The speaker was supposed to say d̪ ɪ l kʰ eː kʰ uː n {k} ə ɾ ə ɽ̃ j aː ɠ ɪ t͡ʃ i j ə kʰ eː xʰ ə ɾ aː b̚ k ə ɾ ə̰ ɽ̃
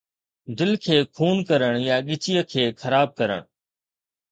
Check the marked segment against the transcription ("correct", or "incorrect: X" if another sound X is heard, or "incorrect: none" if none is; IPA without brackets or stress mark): correct